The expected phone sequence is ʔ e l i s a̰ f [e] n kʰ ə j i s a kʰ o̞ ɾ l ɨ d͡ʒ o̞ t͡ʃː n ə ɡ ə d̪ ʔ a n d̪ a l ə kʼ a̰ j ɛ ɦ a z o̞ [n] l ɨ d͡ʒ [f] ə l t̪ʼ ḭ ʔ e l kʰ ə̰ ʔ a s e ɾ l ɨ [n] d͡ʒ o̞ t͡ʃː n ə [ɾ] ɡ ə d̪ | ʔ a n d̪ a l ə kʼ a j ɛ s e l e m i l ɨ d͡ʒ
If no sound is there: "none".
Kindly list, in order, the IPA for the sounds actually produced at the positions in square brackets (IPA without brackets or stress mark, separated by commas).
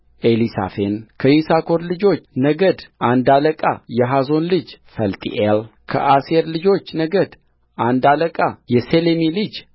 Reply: e, n, f, none, none